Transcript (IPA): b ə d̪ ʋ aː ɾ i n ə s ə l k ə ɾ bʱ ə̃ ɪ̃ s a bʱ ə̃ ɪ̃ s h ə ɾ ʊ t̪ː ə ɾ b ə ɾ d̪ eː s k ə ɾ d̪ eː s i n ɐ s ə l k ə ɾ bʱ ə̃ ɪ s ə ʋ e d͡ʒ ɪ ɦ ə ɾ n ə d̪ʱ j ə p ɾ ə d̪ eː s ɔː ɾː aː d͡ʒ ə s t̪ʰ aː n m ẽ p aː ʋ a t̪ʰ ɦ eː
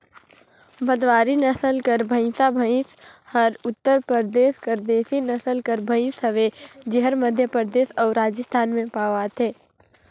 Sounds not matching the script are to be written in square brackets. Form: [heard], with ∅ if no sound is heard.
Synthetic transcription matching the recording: b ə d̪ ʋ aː ɾ i n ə s ə l k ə ɾ bʱ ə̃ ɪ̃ s a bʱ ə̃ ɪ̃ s h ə ɾ ʊ t̪ː ə ɾ [p] ə ɾ d̪ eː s k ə ɾ d̪ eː s i n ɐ s ə l k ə ɾ bʱ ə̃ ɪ s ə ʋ e d͡ʒ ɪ ɦ ə ɾ [m] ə d̪ʱ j ə p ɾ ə d̪ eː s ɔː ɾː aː d͡ʒ ə s t̪ʰ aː n m ẽ p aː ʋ a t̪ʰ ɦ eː